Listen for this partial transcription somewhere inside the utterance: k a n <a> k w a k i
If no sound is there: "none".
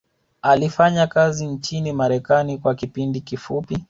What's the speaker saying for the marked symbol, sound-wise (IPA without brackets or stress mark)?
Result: i